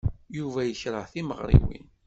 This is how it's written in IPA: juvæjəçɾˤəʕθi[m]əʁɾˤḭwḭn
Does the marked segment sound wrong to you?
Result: no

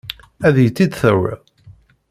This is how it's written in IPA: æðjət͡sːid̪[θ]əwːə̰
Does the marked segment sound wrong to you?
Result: no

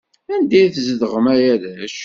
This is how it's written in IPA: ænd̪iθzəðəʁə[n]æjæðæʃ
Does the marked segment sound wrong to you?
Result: yes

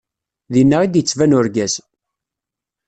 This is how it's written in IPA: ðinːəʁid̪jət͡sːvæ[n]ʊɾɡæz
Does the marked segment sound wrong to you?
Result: no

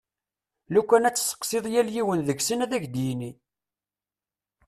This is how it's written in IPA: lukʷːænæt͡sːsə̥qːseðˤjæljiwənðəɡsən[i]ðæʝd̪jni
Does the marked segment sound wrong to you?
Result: yes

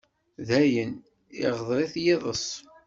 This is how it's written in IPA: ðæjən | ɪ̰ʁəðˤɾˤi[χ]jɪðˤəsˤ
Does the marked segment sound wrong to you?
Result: yes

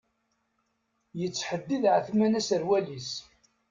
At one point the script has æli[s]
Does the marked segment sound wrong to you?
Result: no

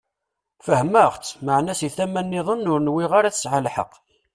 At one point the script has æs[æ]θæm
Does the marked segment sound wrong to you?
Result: yes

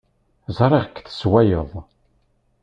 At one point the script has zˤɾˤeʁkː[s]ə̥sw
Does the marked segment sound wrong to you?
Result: yes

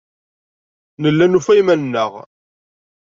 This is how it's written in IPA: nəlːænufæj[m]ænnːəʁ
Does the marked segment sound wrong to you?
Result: no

